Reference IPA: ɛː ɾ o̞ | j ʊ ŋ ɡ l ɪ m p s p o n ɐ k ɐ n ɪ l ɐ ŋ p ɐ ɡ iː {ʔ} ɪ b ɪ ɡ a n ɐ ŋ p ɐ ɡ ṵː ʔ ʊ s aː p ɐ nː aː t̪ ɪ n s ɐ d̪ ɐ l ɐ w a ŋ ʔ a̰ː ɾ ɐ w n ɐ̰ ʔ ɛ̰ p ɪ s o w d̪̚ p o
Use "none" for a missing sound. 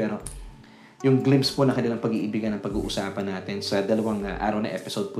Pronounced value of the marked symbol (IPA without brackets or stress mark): ʔ